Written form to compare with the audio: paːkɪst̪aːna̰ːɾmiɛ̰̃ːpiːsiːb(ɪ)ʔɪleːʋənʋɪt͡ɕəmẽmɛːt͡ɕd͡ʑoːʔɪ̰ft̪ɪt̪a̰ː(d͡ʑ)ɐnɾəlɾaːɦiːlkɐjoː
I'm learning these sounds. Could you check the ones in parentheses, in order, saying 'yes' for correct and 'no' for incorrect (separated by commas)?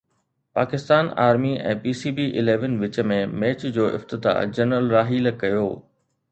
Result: no, yes